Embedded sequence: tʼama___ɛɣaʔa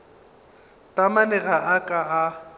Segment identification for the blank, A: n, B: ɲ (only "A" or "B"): A